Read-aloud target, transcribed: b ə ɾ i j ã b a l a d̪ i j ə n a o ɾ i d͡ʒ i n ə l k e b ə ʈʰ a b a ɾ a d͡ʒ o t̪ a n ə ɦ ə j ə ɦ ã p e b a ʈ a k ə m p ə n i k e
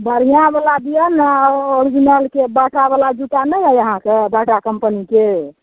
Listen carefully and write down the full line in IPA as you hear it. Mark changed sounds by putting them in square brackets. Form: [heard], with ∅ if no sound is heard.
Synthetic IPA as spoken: b ə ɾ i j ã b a l a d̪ i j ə n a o ɾ i d͡ʒ i n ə l k e b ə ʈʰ a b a [l] a d͡ʒ [u] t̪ a n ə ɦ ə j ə ɦ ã [k] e b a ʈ a k ə m p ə n i k e